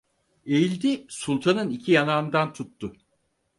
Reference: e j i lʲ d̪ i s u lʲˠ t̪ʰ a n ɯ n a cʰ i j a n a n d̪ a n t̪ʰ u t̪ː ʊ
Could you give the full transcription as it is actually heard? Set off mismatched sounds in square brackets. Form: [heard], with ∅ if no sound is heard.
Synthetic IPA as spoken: e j i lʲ d̪ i s u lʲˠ t̪ʰ a n ɯ n [i] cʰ i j a n a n d̪ a n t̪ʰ u t̪ː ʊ

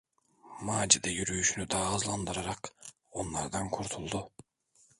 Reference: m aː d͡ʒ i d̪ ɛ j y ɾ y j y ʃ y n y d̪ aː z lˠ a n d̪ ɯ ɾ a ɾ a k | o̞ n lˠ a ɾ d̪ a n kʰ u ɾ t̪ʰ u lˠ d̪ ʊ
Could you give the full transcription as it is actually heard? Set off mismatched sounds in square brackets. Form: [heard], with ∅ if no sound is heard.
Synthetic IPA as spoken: m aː d͡ʒ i d̪ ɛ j y ɾ y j y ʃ y n y d̪ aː z lˠ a n d̪ ɯ ɾ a ɾ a k | o̞ n lˠ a ɾ d̪ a n kʰ u ɾ t̪ʰ u lˠ d̪ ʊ

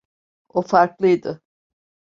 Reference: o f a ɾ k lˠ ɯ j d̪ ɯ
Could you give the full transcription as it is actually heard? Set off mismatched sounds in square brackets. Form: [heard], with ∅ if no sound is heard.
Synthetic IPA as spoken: o f a ɾ k lˠ ɯ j d̪ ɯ

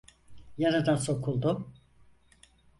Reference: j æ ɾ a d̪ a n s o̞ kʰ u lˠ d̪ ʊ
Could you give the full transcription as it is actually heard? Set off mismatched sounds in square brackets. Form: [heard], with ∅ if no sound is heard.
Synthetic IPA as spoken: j [a] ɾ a d̪ a n s o̞ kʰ u lˠ d̪ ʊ

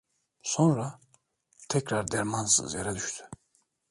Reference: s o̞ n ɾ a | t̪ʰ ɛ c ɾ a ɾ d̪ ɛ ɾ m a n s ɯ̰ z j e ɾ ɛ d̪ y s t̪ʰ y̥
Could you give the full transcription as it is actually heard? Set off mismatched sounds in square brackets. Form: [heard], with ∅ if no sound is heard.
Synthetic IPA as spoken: s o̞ n ɾ a | t̪ʰ ɛ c ɾ a ɾ d̪ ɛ ɾ m a n s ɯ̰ z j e ɾ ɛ d̪ y [ʃ] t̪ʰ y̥

